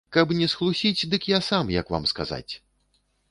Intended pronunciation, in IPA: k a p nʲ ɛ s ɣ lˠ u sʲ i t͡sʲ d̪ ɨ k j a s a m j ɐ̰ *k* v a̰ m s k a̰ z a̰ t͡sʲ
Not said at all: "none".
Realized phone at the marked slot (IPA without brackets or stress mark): k